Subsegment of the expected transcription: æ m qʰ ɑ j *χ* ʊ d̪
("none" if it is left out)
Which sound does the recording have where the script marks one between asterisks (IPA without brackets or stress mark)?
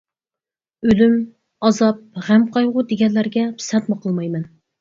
ʁ